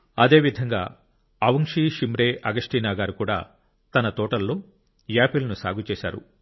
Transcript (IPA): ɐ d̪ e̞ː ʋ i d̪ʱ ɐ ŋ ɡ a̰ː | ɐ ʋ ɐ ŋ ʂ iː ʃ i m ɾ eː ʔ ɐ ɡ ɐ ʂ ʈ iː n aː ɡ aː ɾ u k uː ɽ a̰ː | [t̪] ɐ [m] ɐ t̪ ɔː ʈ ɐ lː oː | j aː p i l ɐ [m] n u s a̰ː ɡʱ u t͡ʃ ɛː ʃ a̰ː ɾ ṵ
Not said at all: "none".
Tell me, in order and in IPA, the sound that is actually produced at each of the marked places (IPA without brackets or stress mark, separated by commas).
t̪, n, none